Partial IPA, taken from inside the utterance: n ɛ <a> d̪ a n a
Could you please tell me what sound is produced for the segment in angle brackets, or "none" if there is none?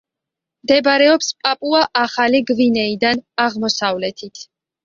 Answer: i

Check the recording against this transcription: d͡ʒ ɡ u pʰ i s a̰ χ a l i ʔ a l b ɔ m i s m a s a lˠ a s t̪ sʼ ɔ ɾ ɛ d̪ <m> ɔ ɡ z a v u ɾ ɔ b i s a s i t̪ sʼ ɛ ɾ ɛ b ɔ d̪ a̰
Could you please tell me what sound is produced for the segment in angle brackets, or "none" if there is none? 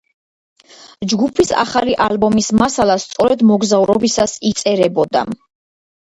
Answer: m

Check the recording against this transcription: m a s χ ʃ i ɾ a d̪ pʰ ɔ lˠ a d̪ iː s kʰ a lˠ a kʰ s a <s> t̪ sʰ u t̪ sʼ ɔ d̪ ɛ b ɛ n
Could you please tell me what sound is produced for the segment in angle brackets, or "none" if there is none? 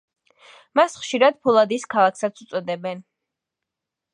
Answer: none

